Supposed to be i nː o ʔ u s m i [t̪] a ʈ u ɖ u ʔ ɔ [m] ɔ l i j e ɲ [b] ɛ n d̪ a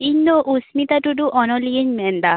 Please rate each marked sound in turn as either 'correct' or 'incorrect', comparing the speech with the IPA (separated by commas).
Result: correct, incorrect, incorrect